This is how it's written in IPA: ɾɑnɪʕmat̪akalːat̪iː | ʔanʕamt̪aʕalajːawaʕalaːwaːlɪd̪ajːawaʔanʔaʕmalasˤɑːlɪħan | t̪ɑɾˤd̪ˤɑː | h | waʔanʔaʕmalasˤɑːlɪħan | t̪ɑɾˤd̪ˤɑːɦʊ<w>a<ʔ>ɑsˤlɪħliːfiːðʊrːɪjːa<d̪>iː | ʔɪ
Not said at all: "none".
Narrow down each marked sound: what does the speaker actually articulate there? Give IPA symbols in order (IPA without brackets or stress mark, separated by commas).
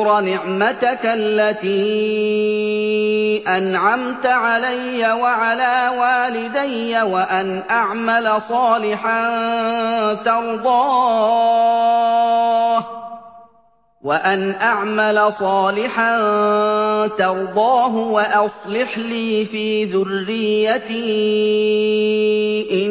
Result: w, ʔ, t̪